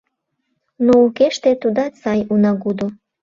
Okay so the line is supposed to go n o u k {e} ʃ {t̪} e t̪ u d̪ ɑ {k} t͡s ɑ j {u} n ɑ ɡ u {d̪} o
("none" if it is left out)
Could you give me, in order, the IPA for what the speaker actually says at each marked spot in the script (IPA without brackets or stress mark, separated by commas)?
e, t̪, none, u, d̪